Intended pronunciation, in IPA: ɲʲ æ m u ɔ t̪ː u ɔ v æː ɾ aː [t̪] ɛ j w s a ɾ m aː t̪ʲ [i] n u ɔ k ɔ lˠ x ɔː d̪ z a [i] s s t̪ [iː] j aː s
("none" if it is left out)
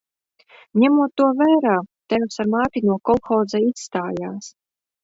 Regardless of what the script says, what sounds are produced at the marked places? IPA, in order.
t̪, i, i, aː

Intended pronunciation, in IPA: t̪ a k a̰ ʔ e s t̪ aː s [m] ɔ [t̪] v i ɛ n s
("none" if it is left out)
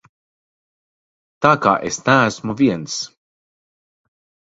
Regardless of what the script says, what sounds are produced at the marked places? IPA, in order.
m, none

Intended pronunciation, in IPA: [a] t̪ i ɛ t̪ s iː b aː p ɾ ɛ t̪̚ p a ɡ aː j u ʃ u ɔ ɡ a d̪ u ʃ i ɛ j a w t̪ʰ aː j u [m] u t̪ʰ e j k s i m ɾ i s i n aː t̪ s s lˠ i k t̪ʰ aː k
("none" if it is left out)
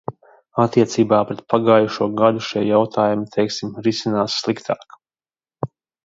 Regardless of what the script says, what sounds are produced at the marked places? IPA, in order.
a, m

